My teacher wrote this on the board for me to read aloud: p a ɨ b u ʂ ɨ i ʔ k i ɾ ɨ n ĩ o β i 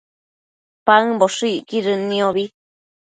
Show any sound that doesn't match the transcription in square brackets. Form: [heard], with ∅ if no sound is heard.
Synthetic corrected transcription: p a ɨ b [o] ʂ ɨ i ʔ k i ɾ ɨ n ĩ o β i